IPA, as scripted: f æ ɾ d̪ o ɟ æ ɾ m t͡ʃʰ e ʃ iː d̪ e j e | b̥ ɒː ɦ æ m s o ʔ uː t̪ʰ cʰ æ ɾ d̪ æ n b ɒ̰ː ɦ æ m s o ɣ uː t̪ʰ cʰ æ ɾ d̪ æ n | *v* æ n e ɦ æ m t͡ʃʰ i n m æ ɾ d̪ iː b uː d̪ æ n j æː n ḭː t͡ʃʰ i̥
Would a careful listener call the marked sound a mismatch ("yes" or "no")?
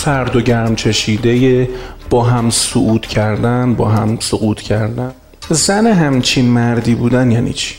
yes